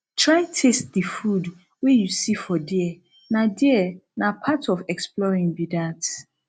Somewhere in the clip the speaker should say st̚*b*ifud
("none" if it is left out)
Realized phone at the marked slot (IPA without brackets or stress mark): d